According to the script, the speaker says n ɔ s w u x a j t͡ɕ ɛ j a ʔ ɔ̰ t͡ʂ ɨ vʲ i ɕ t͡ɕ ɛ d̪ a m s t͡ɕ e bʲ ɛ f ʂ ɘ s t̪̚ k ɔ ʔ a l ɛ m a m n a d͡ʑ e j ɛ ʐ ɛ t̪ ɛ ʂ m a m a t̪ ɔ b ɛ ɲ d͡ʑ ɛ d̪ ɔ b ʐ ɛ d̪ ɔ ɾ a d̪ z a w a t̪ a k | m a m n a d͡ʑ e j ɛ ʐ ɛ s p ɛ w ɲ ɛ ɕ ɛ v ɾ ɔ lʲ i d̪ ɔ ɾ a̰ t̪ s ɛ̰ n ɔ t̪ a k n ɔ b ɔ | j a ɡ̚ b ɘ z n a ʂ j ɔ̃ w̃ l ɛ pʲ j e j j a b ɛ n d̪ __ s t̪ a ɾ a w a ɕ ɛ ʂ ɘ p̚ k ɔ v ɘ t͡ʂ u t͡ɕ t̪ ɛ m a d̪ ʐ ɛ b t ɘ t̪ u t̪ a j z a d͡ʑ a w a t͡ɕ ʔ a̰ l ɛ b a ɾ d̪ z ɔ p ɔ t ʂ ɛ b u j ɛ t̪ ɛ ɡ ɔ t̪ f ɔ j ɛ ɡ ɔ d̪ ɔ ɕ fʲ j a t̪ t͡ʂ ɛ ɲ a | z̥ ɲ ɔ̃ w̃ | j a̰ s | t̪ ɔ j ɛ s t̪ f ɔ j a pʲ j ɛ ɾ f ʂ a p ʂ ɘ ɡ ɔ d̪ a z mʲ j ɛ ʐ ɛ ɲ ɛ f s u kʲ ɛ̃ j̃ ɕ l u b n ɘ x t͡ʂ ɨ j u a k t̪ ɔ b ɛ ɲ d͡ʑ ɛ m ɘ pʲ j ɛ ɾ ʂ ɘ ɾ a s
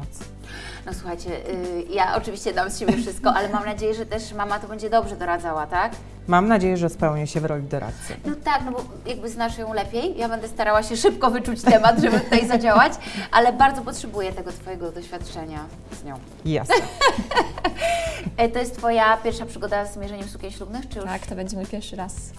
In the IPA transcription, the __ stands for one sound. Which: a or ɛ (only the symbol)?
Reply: ɛ